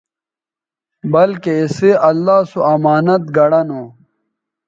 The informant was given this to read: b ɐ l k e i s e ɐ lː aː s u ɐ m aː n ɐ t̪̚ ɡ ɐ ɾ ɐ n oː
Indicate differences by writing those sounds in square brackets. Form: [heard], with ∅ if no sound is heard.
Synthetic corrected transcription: b ɐ l k e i s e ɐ lː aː s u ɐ m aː n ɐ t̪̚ ɡ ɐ [ɽ] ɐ n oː